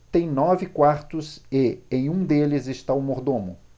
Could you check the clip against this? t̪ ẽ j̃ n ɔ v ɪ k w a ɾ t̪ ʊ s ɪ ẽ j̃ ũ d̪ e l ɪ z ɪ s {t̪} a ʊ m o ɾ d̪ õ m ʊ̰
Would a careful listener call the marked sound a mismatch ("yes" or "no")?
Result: no